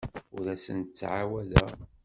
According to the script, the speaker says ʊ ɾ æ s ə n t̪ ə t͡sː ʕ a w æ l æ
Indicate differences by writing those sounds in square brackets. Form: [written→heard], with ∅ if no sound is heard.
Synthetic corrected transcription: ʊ ɾ æ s ə n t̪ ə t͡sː ʕ a w æ l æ